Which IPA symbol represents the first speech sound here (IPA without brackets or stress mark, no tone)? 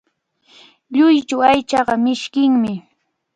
ʎ